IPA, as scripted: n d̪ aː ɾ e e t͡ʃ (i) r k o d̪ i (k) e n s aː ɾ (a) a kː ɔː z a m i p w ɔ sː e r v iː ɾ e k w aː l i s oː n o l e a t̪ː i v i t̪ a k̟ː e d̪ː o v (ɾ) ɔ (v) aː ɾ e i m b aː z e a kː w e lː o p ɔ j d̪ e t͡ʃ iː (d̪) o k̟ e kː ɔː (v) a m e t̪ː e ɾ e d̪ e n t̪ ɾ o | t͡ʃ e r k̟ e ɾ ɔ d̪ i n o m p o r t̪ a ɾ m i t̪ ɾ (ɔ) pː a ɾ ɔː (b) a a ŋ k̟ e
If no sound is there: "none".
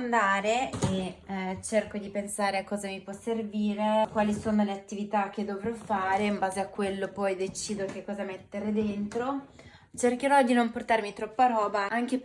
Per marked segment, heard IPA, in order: e, p, e, ɾ, f, d̪, z, ɔ, b

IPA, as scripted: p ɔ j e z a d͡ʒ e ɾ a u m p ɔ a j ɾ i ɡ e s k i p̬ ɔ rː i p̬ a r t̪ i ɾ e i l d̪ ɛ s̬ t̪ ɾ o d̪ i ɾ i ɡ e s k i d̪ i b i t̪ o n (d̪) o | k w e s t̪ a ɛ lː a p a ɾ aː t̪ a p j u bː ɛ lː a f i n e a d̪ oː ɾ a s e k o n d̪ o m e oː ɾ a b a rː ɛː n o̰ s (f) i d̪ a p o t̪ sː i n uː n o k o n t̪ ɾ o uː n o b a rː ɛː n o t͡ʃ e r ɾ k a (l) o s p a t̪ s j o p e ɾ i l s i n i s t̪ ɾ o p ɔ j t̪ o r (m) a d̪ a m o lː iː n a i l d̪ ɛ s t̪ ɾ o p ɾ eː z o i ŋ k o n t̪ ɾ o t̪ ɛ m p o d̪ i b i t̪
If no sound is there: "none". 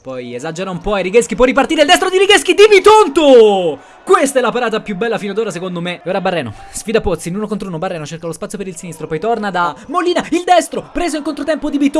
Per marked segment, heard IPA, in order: t̪, f, l, n

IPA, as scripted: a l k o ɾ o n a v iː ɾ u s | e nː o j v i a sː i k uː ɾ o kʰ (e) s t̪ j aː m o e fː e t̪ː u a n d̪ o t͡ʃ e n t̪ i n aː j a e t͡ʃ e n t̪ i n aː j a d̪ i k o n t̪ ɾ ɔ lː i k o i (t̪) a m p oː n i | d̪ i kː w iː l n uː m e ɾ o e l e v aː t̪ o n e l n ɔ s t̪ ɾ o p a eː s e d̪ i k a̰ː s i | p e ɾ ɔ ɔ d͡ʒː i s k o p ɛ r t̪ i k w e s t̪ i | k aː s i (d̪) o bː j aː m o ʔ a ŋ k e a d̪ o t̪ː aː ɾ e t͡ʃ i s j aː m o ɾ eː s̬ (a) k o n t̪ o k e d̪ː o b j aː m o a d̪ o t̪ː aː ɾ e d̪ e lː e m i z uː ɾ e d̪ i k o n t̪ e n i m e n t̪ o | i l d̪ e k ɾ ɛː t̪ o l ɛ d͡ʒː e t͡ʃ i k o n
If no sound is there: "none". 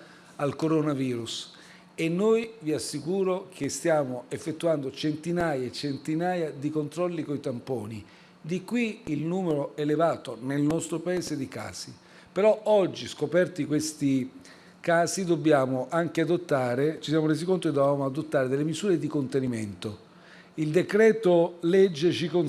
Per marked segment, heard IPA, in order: e, t̪, d̪, i

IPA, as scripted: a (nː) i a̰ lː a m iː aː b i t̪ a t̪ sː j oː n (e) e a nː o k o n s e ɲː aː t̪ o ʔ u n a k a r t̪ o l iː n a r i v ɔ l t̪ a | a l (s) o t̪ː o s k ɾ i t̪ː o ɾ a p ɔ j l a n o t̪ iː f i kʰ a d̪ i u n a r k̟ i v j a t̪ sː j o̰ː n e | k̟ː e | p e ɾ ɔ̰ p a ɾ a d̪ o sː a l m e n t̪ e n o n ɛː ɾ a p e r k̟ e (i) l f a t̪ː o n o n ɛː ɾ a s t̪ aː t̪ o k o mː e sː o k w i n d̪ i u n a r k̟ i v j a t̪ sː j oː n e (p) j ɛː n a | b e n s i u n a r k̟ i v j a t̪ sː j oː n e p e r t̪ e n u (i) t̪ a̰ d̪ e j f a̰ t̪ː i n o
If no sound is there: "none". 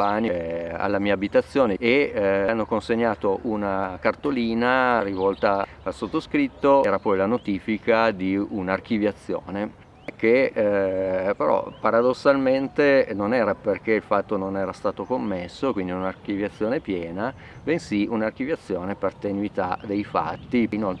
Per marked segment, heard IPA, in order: n, e, s, i, p, i

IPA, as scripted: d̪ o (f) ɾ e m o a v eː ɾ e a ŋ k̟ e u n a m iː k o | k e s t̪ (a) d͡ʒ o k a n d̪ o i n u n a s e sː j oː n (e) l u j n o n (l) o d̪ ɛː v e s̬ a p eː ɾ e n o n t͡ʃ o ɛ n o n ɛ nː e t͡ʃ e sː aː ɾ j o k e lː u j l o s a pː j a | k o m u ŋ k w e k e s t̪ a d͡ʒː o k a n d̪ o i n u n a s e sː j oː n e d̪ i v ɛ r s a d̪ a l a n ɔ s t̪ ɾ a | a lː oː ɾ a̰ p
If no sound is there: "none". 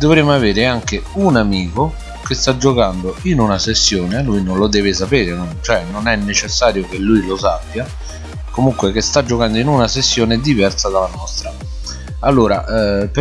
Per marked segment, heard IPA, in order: v, a, e, l

